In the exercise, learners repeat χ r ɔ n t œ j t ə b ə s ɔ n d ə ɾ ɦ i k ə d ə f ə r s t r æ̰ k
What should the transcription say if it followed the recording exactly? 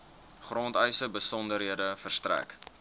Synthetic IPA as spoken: χ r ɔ n t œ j s ə b ə s ɔ n d ə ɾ ɦ i ə d ə f ə r s t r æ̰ k